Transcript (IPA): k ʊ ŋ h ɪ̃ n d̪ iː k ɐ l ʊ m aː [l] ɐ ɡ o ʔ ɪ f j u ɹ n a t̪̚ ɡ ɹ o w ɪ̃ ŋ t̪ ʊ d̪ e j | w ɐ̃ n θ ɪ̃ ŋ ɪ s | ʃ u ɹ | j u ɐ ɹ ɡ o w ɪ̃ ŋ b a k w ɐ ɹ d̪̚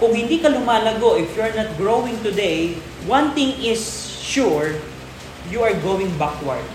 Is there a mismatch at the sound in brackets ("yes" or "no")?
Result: no